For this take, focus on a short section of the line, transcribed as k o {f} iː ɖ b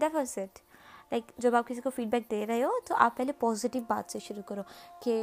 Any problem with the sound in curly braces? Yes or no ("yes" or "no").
no